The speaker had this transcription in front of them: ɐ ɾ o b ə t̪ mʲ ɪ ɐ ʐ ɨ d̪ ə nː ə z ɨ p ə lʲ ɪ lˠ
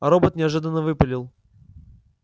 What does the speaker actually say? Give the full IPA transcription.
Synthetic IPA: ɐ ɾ o b ə t̪ nʲ ɪ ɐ ʐ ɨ d̪ ə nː ə v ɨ p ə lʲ ɪ lˠ